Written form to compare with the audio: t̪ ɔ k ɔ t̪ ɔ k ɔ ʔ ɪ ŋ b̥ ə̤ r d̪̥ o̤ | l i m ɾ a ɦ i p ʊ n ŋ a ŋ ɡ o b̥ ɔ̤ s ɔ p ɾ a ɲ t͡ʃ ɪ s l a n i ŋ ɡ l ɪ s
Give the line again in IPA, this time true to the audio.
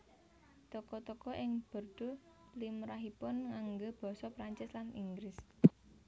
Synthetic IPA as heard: t̪ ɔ k ɔ t̪ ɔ k ɔ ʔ ɪ ŋ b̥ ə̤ r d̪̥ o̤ | l i m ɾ a ɦ i p ʊ n ŋ a ŋ ɡ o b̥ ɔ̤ s ɔ p ɾ a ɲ t͡ʃ ɪ s l a n i ŋ ɡ ɾ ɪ s

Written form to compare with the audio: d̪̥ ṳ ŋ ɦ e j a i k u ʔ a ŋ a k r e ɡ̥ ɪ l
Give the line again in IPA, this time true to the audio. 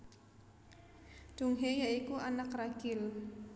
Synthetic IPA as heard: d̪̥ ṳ ŋ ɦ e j a i k u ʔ a n a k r a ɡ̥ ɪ l

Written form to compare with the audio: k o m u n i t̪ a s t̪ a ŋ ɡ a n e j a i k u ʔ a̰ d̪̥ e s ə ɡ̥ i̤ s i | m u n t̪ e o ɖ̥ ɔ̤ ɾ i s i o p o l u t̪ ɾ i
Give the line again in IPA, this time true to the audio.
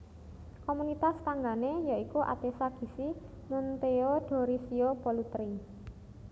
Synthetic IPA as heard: k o m u n i t̪ a s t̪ a ŋ ɡ a n e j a i k u ʔ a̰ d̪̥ e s a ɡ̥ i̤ s i | m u n t̪ e o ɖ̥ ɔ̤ ɾ i s i o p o l u t̪ ɾ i

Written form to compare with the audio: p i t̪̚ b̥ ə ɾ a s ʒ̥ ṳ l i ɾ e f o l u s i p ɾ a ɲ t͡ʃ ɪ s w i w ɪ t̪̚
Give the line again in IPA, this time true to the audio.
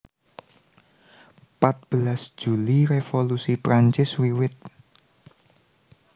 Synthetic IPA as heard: p a t̪̚ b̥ ə l a s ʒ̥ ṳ l i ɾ e f o l u s i p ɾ a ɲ t͡ʃ ɪ s w i w ɪ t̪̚

